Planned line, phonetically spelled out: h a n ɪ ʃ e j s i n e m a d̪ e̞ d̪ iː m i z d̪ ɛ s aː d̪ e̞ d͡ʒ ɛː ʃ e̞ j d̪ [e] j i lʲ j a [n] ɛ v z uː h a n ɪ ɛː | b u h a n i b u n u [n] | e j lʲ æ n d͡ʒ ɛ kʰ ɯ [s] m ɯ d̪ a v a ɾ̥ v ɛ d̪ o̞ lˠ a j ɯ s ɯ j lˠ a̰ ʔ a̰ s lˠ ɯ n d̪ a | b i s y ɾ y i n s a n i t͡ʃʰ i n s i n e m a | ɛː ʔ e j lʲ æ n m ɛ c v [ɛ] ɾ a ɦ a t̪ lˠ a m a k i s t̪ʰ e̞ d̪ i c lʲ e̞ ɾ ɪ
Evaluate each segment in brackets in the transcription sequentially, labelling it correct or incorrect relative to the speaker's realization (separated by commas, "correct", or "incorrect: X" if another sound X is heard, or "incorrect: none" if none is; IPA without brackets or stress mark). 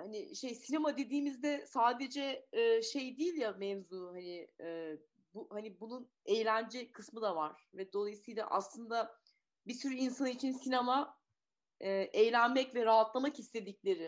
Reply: incorrect: i, incorrect: m, correct, correct, correct